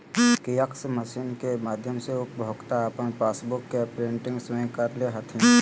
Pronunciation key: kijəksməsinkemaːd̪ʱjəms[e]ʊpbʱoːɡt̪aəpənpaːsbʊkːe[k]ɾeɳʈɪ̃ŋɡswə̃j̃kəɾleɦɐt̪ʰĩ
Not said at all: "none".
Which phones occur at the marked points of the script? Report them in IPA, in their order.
e, p

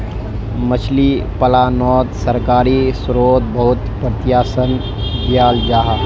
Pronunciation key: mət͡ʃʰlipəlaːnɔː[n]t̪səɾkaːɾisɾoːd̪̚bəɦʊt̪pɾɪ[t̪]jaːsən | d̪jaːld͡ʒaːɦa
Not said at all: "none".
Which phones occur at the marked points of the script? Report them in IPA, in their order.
none, t̪

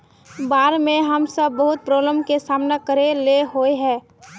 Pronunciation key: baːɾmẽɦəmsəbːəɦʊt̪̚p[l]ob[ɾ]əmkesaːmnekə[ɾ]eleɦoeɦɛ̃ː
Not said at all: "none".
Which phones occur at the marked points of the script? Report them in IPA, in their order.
ɾ, l, ɾ

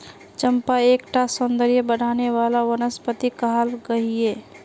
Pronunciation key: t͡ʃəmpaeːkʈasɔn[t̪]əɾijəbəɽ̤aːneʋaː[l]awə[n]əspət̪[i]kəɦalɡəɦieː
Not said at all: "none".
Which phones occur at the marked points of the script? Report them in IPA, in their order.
d̪, l, n, i

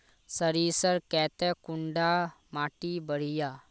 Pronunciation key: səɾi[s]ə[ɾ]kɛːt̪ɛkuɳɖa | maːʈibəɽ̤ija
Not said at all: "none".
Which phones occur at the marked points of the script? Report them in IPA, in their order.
s, ɾ

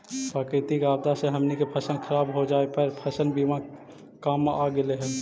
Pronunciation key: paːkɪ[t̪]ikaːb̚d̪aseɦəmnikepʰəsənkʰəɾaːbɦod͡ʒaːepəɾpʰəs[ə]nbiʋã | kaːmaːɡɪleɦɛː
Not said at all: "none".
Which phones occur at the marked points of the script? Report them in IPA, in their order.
t̪, ə

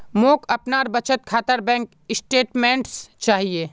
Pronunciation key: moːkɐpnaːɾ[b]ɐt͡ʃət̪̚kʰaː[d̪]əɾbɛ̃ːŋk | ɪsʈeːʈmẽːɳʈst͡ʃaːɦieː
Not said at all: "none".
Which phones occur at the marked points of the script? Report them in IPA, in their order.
b, t̪

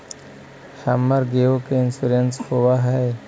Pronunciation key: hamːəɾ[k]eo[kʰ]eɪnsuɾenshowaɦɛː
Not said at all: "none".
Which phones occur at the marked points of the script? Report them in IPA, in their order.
ɡ, k

